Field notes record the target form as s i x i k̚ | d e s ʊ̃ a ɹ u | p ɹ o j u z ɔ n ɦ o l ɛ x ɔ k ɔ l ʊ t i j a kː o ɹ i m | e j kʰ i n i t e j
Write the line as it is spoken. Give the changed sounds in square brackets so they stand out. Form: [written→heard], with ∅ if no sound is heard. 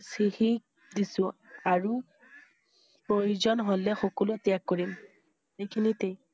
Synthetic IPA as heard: s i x i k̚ | d [e→i] s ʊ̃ a ɹ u | p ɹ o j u z ɔ n ɦ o l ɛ x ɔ k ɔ l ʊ t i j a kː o ɹ i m | e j kʰ i n i t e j